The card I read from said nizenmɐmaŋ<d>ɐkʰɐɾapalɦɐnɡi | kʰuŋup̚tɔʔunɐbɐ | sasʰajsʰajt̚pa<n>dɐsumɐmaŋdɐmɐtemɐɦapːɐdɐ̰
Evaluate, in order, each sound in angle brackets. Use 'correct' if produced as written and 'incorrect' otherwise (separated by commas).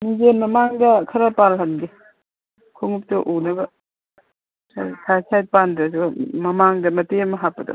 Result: correct, correct